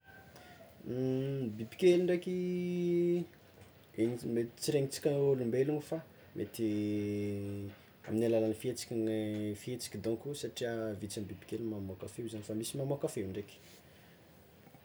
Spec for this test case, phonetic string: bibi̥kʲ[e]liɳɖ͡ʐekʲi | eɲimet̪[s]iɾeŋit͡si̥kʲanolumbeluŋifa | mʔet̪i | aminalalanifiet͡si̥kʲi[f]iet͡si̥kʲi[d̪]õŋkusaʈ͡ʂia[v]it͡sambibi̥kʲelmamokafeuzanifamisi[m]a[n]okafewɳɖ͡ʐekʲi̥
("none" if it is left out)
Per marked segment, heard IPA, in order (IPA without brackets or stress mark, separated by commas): e, t͡s, f, d̪, v, m, m